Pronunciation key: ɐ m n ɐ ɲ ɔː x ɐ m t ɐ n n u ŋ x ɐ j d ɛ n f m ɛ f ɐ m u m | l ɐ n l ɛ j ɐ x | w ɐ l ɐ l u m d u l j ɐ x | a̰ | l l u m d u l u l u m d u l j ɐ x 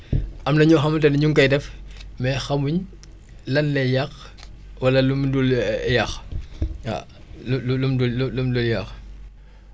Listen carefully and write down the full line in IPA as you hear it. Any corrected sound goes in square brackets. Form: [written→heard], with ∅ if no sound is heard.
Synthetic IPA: ɐ m n ɐ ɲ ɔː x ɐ m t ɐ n [n→ɲ] u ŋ [x→k] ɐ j d ɛ [n→∅] f m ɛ [f→x] ɐ m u [m→ɲ] | l ɐ n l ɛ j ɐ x | w ɐ l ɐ l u m d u l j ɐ x | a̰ | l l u m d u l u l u m d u l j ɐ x